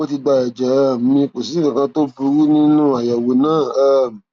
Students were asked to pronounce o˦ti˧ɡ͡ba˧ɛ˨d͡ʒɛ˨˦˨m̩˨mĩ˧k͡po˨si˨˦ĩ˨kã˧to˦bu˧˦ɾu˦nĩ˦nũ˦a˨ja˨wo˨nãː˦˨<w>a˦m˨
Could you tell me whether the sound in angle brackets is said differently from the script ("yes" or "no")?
yes